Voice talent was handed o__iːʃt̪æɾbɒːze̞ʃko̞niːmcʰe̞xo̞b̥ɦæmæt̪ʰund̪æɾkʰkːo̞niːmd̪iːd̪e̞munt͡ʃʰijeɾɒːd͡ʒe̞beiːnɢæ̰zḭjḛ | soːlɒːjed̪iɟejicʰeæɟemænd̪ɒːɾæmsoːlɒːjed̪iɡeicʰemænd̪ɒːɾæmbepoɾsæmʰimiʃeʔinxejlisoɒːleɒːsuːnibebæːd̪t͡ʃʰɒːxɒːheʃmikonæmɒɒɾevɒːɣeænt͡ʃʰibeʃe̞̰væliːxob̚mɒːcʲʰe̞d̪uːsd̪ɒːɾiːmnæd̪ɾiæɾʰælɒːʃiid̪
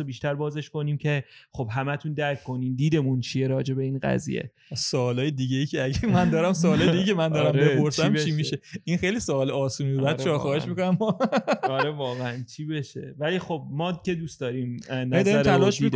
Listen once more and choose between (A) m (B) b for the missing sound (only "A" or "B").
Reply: B